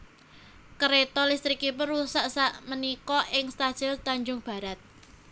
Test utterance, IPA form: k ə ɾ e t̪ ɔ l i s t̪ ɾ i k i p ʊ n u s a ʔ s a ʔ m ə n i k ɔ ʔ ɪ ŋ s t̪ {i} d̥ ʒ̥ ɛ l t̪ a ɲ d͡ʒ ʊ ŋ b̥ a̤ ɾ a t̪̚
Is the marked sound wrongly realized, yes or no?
yes